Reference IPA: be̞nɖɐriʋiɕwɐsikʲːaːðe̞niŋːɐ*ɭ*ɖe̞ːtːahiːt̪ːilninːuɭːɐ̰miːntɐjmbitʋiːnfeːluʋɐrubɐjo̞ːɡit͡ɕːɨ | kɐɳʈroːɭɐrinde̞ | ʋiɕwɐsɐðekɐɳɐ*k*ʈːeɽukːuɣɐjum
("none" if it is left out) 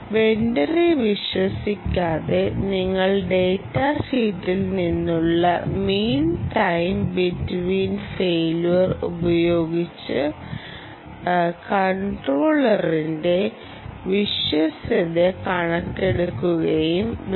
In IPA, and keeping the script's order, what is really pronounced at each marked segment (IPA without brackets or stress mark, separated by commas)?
ɭ, k